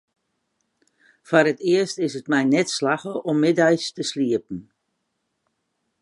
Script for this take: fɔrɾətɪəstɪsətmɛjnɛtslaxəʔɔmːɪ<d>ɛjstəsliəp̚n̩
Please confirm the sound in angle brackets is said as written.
yes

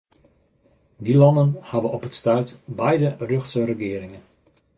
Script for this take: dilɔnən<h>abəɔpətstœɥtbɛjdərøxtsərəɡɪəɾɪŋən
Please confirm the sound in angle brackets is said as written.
yes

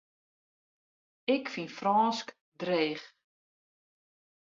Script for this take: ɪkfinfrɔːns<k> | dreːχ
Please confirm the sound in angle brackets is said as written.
yes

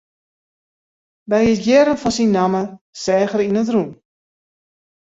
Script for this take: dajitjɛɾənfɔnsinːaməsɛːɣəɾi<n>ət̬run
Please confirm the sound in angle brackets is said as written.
yes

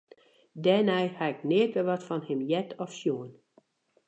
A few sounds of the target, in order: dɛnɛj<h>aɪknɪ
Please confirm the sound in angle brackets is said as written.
yes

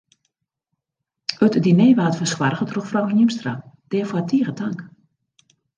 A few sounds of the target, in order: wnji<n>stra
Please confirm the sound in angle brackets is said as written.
no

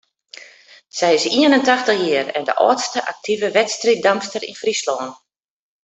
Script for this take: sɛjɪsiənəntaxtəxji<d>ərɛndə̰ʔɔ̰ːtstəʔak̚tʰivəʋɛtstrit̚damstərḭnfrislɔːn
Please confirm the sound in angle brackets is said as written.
no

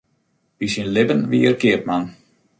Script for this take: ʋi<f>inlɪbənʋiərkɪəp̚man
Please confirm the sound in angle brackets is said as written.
no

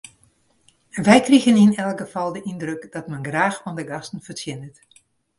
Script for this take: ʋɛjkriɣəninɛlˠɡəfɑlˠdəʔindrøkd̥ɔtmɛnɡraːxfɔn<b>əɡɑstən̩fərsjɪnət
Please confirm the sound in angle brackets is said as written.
no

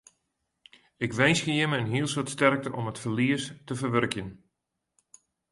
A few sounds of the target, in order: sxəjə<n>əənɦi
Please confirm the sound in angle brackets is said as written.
no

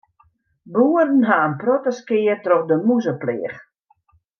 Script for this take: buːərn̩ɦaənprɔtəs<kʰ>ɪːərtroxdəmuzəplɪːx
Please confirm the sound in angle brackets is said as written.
no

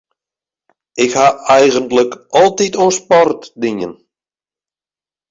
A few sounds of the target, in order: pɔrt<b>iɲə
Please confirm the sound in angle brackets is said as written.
no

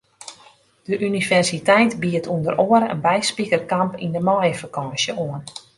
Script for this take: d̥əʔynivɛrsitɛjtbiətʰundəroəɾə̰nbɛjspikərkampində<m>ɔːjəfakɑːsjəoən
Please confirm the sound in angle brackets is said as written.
yes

